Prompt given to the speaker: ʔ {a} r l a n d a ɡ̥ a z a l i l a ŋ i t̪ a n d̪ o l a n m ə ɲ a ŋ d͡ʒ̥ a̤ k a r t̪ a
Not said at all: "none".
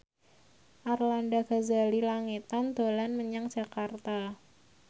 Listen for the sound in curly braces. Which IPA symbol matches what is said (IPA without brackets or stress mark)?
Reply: a